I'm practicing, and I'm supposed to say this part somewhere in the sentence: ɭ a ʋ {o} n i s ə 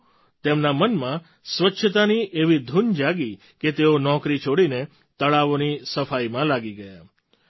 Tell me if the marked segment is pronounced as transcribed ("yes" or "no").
yes